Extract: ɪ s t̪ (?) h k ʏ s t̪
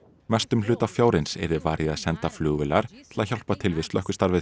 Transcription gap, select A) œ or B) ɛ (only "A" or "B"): A